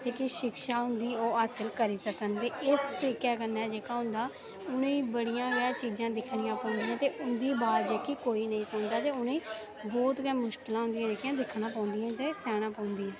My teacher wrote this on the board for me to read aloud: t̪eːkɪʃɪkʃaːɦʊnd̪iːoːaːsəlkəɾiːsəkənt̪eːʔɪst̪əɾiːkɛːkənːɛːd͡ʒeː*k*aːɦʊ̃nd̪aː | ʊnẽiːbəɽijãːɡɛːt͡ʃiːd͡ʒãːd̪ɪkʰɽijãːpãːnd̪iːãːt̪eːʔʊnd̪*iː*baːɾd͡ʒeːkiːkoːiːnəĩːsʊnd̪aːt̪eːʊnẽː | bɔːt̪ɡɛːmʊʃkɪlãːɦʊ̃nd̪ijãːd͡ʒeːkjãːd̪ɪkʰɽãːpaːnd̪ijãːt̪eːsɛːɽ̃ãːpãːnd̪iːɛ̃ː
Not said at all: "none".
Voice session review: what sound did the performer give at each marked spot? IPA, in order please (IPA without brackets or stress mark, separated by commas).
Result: k, iː